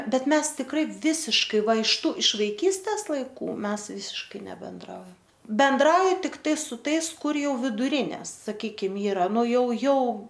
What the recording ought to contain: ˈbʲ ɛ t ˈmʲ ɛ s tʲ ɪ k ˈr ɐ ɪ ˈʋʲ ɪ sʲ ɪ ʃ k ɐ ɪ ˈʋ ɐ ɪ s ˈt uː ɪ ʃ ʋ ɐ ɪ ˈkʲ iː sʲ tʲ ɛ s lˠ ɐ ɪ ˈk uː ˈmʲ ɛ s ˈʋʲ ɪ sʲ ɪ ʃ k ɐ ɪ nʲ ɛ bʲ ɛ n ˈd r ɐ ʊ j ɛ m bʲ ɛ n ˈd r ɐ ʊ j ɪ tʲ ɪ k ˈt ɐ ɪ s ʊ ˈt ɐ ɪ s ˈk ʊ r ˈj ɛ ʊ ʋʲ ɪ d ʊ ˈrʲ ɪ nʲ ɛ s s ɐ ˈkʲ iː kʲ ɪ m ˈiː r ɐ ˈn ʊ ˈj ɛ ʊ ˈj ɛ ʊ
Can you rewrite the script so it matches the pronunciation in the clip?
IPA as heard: ˈbʲ ɛ t ˈmʲ ɛ s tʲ ɪ k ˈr ɐ ɪ ˈʋʲ ɪ sʲ ɪ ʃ k ɐ ɪ ˈʋ ɐ ɪ ʃ ˈt uː ɪ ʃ ʋ ɐ ɪ ˈkʲ iː sʲ tʲ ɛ s lˠ ɐ ɪ ˈk uː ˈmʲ ɛ s ˈʋʲ ɪ sʲ ɪ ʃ k ɐ ɪ nʲ ɛ bʲ ɛ n ˈd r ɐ ʊ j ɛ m bʲ ɛ n ˈd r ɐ ʊ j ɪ tʲ ɪ k ˈt ɐ ɪ s ʊ ˈt ɐ ɪ s ˈk ʊ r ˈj ɛ ʊ ʋʲ ɪ d ʊ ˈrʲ ɪ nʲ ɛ s s ɐ ˈkʲ iː kʲ ɪ m ˈiː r ɐ ˈn ʊ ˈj ɛ ʊ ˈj ɛ ʊ